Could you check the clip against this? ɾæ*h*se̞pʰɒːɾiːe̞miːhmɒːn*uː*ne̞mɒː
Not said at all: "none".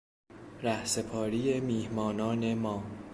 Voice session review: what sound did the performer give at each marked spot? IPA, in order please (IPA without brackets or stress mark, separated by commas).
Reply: h, ɒː